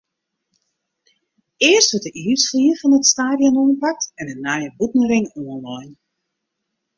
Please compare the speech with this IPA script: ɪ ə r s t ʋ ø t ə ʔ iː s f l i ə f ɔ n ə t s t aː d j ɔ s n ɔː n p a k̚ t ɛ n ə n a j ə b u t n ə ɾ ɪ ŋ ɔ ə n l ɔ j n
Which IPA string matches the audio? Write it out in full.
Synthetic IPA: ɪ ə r s t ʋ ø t ə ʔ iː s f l i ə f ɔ n ə t s t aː d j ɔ n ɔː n p a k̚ t ɛ n ə n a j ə b u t n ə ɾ ɪ ŋ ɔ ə n l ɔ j n